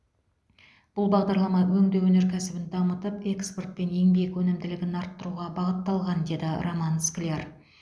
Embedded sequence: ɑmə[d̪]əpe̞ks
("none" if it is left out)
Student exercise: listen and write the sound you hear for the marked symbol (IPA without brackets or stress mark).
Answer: t̪